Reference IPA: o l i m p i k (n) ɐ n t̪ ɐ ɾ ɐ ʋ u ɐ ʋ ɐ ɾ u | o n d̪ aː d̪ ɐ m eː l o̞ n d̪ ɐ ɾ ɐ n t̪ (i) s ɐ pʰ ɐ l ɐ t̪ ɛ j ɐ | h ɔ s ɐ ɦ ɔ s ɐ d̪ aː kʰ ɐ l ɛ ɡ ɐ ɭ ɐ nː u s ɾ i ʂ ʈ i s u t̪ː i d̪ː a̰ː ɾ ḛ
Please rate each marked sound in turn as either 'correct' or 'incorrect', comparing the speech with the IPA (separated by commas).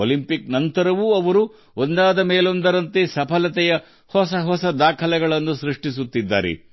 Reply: correct, incorrect